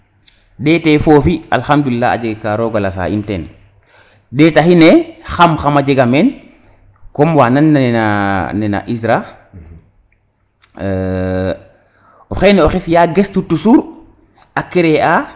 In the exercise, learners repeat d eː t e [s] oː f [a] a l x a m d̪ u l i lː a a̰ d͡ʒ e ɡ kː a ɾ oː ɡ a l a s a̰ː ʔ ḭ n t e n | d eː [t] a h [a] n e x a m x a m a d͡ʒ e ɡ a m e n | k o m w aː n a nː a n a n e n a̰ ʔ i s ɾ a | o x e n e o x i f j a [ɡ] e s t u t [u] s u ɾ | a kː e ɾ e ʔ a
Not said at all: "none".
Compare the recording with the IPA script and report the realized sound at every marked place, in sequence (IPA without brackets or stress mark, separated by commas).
f, i, t, i, ɡ, u